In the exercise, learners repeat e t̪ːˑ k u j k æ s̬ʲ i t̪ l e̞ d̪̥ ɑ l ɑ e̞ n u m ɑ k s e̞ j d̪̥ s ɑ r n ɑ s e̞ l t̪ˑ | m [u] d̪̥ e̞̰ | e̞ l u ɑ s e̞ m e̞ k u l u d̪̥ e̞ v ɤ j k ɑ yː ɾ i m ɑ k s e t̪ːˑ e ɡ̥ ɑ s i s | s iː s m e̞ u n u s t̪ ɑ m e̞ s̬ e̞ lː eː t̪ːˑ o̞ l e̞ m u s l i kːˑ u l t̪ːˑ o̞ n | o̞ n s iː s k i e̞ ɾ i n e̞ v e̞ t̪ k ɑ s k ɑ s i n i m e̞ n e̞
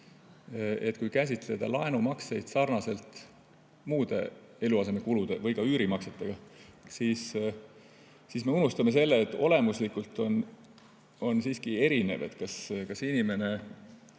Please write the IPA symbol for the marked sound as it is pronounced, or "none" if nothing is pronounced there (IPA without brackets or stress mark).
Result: uː